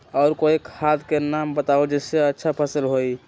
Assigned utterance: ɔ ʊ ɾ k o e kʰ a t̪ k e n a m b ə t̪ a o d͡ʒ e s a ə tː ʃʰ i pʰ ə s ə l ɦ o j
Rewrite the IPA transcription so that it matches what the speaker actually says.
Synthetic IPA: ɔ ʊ ɾ k o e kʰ a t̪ k e n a m b ə t̪ a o d͡ʒ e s e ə tː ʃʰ a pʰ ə s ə l ɦ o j